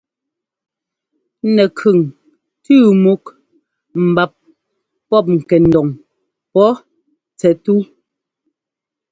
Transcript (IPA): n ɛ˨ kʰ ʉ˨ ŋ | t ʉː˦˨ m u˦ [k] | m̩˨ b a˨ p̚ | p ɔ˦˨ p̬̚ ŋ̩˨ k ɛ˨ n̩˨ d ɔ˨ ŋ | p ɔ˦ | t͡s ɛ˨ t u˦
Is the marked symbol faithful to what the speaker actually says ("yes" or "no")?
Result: yes